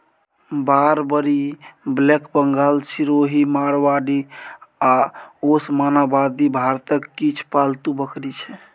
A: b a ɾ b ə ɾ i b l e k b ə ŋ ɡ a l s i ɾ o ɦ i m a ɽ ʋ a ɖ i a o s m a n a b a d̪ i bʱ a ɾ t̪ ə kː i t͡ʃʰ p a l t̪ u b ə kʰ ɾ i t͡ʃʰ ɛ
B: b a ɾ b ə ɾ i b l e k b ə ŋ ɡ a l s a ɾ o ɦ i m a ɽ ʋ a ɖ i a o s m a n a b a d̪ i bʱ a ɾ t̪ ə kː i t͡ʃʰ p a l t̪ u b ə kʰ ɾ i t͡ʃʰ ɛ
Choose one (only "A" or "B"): A